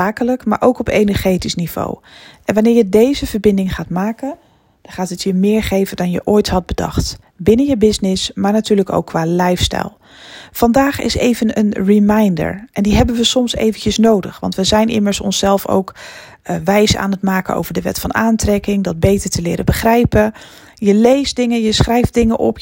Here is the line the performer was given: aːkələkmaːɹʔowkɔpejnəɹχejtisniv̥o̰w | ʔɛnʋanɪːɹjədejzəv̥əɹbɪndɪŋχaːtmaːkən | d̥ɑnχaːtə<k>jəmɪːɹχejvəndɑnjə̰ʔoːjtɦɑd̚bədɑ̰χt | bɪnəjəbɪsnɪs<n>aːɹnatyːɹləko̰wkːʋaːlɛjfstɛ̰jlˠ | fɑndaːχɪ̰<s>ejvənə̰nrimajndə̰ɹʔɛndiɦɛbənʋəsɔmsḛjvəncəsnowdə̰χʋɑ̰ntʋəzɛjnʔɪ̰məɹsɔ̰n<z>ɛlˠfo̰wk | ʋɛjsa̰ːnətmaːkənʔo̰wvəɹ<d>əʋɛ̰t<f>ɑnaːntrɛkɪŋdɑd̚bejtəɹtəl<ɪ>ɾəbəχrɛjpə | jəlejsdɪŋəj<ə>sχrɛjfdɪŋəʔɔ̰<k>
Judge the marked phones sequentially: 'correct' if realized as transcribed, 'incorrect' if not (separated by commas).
incorrect, incorrect, correct, incorrect, correct, correct, incorrect, correct, incorrect